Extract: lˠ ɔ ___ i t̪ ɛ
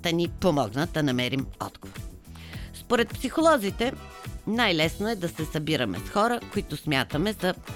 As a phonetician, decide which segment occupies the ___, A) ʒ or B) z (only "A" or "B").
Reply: B